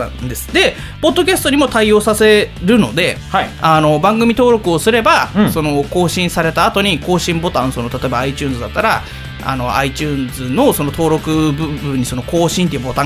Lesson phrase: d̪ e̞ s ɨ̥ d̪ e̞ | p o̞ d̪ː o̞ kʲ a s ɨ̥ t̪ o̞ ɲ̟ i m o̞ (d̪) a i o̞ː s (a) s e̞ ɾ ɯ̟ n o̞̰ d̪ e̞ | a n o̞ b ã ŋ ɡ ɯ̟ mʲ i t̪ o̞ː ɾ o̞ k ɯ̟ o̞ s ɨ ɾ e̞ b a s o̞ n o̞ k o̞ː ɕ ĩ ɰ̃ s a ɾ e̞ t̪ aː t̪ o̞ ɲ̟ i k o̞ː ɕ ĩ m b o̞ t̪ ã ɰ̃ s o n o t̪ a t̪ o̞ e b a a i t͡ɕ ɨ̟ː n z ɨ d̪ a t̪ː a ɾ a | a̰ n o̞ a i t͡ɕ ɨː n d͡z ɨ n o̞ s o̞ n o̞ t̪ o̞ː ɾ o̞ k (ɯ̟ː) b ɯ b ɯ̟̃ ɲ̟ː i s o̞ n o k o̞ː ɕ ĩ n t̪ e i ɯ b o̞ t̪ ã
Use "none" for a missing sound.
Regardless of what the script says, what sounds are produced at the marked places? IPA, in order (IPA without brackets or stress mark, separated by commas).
t̪, a, ɯ̟